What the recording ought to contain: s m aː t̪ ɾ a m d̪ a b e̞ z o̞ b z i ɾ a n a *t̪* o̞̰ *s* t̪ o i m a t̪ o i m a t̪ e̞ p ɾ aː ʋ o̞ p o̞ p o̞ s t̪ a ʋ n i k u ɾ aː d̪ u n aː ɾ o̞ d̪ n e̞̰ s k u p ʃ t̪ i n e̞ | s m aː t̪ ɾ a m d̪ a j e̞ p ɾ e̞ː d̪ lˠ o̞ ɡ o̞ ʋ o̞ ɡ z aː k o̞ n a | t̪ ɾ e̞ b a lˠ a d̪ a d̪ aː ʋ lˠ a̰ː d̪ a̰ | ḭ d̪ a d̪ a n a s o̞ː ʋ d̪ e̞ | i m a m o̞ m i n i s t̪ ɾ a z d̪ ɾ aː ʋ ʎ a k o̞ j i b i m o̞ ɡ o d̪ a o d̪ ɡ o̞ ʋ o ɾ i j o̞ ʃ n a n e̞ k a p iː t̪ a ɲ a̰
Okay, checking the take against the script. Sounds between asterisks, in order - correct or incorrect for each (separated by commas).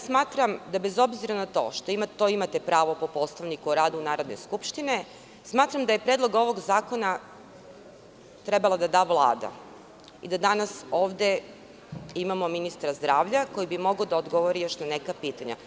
correct, incorrect